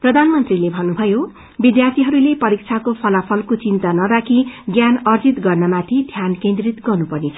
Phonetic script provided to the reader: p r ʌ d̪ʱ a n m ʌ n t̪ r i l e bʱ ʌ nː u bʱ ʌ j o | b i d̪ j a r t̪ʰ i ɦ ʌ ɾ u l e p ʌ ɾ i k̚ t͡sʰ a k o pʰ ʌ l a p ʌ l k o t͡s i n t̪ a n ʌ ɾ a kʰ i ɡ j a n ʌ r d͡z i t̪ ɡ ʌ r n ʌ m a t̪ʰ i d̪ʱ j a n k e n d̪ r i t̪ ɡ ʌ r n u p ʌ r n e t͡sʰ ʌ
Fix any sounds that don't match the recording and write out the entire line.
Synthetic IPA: p r ʌ d̪ʱ a n m ʌ n t̪ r i l e bʱ ʌ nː u bʱ ʌ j o | b i d̪ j a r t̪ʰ i ɦ ʌ ɾ u l e p ʌ ɾ i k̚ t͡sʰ a k o pʰ ʌ l a pʰ ʌ l k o t͡s i n t̪ a n ʌ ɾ a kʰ i ɡ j a n ʌ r d͡z i t̪ ɡ ʌ r n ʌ m a t̪ʰ i d̪ʱ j a n k e n d̪ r i t̪ ɡ ʌ r n u p ʌ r n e t͡sʰ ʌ